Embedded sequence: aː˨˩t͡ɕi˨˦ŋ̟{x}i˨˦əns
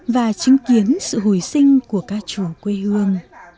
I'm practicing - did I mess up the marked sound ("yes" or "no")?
yes